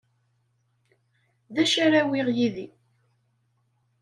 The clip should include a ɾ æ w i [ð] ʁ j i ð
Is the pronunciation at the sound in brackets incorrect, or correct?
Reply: incorrect